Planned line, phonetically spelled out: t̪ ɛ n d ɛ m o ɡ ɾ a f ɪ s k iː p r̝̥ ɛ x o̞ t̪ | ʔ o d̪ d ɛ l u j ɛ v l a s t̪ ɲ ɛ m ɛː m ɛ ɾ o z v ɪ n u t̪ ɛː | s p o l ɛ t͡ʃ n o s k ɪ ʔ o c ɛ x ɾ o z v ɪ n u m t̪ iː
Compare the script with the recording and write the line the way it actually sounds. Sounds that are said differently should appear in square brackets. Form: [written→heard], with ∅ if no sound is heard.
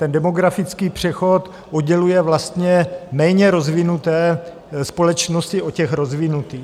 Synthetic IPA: t̪ ɛ n d ɛ m o ɡ ɾ a f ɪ [s→t͡s] k iː p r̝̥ ɛ x o̞ t̪ | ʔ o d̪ [d→ɟ] ɛ l u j ɛ v l a s t̪ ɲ ɛ m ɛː [m→ɲ] ɛ ɾ o z v ɪ n u t̪ ɛː | s p o l ɛ t͡ʃ n o s [k→c] ɪ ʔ o c ɛ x ɾ o z v ɪ n u [m→∅] t̪ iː

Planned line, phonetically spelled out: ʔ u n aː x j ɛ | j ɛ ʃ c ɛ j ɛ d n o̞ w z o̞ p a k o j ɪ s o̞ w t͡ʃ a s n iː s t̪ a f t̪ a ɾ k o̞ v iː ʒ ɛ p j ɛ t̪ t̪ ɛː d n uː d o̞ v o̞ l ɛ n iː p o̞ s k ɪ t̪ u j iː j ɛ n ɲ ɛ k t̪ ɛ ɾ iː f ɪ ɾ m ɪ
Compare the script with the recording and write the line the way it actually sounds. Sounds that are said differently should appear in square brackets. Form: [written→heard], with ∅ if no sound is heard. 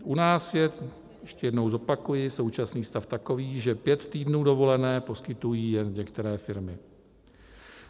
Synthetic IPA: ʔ u n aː [x→s] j ɛ | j ɛ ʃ c ɛ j ɛ d n o̞ w z o̞ p a k [o→u] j ɪ s o̞ w t͡ʃ a s n iː s t̪ a f t̪ a [ɾ→∅] k o̞ v iː ʒ ɛ p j ɛ t̪ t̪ [ɛː→iː] d n uː d o̞ v o̞ l ɛ n [iː→ɛː] p o̞ s k ɪ t̪ u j iː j ɛ n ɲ ɛ k t̪ ɛ ɾ [iː→ɛː] f ɪ ɾ m ɪ

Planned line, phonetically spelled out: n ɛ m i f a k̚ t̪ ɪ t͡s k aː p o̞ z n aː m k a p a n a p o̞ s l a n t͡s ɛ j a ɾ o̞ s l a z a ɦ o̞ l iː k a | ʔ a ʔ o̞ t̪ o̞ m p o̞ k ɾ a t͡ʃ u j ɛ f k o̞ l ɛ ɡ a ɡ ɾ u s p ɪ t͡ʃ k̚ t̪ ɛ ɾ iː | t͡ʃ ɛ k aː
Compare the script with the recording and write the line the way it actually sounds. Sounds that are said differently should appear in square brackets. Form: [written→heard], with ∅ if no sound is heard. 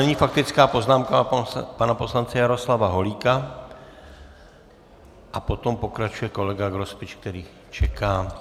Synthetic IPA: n ɛ [m→ɲ] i f a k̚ t̪ ɪ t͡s k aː p o̞ z n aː m k a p a n a p o̞ s l a n t͡s ɛ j a ɾ o̞ s l a [z→v] a ɦ o̞ l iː k a | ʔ a [ʔ→p] o̞ t̪ o̞ m p o̞ k ɾ a t͡ʃ u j ɛ [f→∅] k o̞ l ɛ ɡ a ɡ ɾ [u→o] s p ɪ t͡ʃ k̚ t̪ ɛ ɾ iː | t͡ʃ ɛ k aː

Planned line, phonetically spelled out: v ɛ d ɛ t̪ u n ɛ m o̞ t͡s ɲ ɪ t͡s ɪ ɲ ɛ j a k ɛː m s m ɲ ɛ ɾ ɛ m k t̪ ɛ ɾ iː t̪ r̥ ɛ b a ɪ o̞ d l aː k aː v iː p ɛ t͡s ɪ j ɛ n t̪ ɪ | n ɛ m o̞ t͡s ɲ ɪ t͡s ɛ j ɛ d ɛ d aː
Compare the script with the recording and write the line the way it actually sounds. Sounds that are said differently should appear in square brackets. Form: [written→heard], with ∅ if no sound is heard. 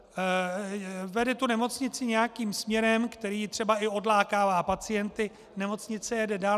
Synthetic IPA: v ɛ d ɛ t̪ u n ɛ m o̞ t͡s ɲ ɪ t͡s ɪ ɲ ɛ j a k [ɛː→iː] m s m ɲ ɛ ɾ ɛ m k t̪ ɛ ɾ iː t̪ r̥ ɛ b a ɪ o̞ d l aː k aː v [iː→aː] p [ɛ→a] t͡s ɪ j ɛ n t̪ ɪ | n ɛ m o̞ t͡s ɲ ɪ t͡s ɛ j ɛ d ɛ d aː

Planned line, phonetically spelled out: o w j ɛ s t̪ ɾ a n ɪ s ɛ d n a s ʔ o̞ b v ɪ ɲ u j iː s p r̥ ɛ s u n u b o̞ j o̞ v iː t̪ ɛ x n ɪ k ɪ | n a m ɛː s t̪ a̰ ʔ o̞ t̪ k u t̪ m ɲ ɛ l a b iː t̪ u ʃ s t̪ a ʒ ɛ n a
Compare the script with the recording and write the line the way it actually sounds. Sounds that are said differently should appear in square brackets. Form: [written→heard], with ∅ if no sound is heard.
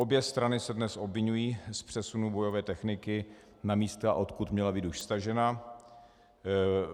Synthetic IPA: o [w→b] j ɛ s t̪ ɾ a n ɪ s ɛ d n [a→ɛ] s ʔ o̞ b v ɪ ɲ u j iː s p r̥ ɛ s u n u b o̞ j o̞ v [iː→ɛː] t̪ ɛ x n ɪ k ɪ | n a m [ɛː→iː] s t̪ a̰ ʔ o̞ t̪ k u t̪ m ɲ ɛ l a b iː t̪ u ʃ s t̪ a ʒ ɛ n a

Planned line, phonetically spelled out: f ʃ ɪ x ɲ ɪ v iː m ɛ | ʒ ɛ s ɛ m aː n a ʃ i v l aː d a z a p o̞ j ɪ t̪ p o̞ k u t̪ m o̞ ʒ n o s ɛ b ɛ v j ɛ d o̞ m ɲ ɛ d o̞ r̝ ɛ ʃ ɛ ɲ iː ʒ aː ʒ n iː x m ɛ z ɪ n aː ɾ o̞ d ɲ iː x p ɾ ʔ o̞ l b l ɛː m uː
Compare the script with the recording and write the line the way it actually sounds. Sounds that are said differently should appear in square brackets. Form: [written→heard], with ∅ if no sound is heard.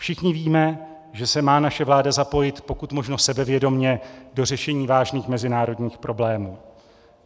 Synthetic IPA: f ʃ ɪ x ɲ ɪ v iː m ɛ | ʒ ɛ s ɛ m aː n a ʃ [i→ɛ] v l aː d a z a p o̞ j ɪ t̪ p o̞ k u t̪ m o̞ ʒ n o s ɛ b ɛ v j ɛ d o̞ m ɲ ɛ d o̞ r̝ ɛ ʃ ɛ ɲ iː [ʒ→v] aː ʒ n iː x m ɛ z ɪ n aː ɾ o̞ d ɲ iː x p ɾ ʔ o̞ [l→∅] b l ɛː m uː

